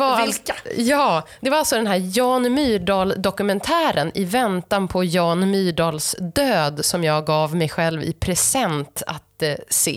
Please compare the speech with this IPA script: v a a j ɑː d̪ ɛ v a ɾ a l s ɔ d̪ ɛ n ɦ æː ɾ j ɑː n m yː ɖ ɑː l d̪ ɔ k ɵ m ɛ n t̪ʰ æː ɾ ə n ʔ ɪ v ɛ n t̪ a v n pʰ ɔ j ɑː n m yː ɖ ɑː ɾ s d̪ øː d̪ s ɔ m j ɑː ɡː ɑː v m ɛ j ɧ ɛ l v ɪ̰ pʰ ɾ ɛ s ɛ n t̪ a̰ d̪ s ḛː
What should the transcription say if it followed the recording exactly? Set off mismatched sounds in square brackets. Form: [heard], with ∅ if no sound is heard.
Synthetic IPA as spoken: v a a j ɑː d̪ ɛ v a ɾ a l s ɔ d̪ ɛ n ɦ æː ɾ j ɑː n m yː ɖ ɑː l d̪ ɔ k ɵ m ɛ n t̪ʰ æː ɾ ə n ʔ ɪ v ɛ n t̪ a [∅] n pʰ ɔ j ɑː n m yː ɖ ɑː [l] s d̪ øː d̪ s ɔ m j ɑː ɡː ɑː v m ɛ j ɧ ɛ l v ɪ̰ pʰ ɾ ɛ s ɛ n t̪ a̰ [t̪] s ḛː